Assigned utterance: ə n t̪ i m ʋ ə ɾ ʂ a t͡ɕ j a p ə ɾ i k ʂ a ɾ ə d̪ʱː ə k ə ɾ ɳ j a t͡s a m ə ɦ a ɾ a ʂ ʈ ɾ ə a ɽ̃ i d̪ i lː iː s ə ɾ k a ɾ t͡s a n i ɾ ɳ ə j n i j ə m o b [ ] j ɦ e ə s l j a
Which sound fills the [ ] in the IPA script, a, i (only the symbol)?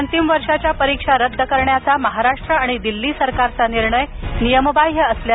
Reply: a